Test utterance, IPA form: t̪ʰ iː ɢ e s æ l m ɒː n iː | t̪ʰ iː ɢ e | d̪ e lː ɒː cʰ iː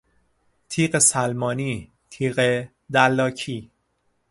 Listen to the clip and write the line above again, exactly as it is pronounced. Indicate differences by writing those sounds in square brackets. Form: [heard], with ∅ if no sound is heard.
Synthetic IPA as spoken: t̪ʰ iː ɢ e s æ l m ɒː n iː | t̪ʰ iː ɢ e | d̪ [æ] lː ɒː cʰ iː